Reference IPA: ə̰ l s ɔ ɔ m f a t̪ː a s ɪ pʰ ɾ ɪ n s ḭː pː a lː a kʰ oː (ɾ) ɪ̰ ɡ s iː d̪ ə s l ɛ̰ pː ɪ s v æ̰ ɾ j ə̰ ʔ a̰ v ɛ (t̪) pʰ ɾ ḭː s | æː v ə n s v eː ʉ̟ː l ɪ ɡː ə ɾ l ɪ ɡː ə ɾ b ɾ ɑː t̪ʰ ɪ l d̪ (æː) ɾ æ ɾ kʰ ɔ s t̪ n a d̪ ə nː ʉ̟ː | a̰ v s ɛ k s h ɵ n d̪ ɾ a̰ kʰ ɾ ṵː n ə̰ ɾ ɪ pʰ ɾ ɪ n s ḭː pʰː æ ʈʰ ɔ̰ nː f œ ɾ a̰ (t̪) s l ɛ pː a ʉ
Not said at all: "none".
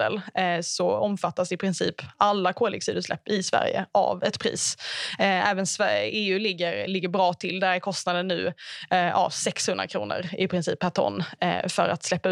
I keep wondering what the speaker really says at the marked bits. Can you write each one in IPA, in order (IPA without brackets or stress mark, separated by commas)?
l, t̪, æ, t̪